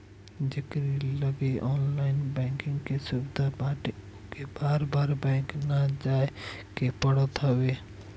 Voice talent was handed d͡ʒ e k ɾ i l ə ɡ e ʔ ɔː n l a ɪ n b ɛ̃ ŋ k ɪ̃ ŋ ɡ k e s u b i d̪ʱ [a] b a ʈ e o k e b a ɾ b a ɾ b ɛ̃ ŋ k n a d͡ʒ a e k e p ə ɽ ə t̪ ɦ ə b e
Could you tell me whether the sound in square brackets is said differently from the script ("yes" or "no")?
no